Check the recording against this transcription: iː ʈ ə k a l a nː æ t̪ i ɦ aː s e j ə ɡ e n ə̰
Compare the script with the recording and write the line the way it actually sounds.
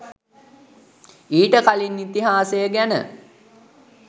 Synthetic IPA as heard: iː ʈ ə k a l i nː i t̪ i ɦ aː s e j ə ɡ æ n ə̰